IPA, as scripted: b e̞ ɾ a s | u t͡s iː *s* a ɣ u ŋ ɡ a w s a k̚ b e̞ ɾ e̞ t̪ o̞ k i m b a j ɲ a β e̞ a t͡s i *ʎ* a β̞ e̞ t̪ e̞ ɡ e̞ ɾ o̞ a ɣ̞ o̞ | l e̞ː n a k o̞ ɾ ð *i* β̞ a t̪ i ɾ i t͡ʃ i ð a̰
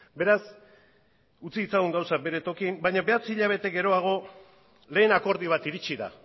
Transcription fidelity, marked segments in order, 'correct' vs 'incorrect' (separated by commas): incorrect, correct, correct